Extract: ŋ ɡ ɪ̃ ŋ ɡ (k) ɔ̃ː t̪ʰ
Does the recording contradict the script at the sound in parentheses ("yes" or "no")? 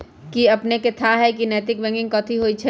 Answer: no